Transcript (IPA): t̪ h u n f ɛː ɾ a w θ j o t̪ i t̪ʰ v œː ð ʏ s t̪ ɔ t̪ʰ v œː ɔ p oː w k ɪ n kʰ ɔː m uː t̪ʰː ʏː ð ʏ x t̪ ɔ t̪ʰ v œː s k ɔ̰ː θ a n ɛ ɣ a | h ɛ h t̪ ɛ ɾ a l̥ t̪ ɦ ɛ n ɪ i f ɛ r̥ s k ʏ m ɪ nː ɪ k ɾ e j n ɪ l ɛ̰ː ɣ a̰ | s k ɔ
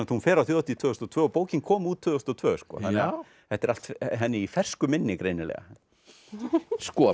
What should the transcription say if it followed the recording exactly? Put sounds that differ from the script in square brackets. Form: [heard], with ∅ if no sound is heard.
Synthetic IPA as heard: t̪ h u n f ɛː ɾ a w θ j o t̪ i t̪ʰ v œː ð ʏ s t̪ ɔ t̪ʰ v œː ɔ p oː w [c] ɪ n kʰ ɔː m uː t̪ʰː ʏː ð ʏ [s] t̪ ɔ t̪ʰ v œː s k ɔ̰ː θ a n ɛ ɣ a | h ɛ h t̪ ɛ ɾ a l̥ t̪ ɦ ɛ [nː] ɪ i f ɛ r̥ s k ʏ m ɪ nː ɪ k ɾ e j n ɪ l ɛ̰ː ɣ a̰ | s k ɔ